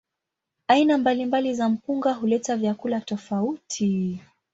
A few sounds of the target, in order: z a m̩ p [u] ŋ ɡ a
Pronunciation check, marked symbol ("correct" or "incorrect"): correct